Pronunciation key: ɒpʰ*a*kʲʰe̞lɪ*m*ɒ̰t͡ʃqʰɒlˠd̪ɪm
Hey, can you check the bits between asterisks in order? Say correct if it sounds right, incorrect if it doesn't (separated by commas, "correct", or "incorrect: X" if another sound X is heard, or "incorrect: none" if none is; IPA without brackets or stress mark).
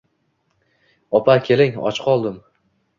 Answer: correct, incorrect: ŋ